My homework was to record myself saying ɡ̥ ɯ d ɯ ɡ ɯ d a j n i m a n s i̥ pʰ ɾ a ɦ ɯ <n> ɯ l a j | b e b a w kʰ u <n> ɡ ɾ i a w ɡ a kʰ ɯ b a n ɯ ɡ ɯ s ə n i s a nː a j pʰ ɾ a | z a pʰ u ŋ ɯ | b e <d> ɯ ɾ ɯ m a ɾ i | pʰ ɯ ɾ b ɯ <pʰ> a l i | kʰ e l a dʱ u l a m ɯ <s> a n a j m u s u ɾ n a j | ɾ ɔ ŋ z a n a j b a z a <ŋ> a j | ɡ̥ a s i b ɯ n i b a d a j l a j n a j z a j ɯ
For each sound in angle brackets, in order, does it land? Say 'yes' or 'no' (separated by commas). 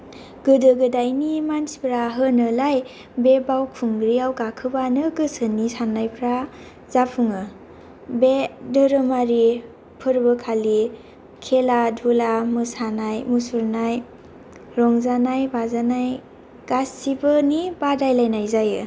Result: yes, no, yes, no, yes, no